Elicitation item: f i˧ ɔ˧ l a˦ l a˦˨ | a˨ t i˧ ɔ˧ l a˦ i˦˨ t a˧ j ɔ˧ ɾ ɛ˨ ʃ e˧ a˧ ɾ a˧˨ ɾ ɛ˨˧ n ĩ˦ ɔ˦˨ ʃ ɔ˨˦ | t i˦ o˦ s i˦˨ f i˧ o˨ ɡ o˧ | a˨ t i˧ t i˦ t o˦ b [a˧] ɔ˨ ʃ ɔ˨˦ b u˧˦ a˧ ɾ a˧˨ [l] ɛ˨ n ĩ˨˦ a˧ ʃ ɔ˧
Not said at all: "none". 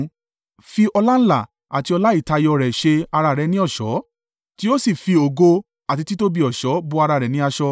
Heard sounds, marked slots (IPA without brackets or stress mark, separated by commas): i˧, ɾ